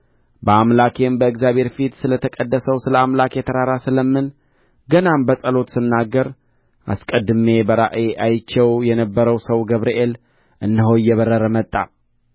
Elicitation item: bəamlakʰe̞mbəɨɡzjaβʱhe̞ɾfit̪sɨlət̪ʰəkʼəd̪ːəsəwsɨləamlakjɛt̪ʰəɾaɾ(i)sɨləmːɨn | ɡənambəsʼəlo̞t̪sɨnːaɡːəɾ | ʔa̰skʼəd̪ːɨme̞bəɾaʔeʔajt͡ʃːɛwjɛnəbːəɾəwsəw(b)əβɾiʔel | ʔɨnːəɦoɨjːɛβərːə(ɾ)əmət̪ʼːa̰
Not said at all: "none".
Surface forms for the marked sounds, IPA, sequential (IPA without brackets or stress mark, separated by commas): a, ɡ, ɾ